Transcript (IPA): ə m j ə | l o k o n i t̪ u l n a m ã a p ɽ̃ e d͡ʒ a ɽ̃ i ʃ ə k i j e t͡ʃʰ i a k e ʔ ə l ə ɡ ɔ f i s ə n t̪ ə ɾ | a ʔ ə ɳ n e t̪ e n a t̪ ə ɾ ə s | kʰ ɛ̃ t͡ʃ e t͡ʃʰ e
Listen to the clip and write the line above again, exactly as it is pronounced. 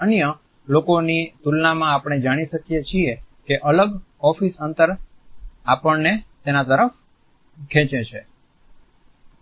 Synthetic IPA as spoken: ə n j ə | l o k o n i t̪ u l n a m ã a p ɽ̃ e d͡ʒ a ɽ̃ i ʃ ə k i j e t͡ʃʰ i e k e ʔ ə l ə ɡ ɔ f i s ə n t̪ ə ɾ | a p ə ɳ n e t̪ e n a t̪ ə ɾ ə f | kʰ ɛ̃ t͡ʃ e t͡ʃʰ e